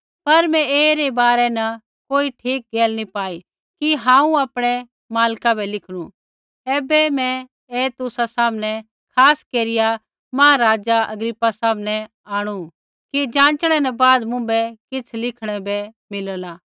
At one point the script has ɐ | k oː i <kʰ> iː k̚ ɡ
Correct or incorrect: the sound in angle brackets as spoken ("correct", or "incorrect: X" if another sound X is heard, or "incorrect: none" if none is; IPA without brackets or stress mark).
incorrect: ʈʰ